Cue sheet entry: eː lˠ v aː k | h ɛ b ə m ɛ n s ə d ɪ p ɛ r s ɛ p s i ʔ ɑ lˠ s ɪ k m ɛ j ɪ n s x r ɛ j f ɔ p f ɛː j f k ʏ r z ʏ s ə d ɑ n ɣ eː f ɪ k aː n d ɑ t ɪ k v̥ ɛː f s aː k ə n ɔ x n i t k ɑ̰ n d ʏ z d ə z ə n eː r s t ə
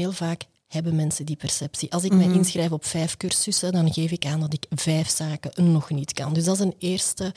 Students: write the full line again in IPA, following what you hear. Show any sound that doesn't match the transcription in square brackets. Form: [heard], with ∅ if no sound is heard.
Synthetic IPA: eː lˠ v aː k | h ɛ b ə m ɛ n s ə d [i] p ɛ r s ɛ p s i ʔ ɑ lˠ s ɪ k m ɛ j ɪ n s x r ɛ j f ɔ p f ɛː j f k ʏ r [s] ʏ s ə d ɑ n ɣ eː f ɪ k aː n d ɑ t ɪ k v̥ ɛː f s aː k ə n ɔ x n i t k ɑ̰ n d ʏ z d [ɑ] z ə n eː r s t ə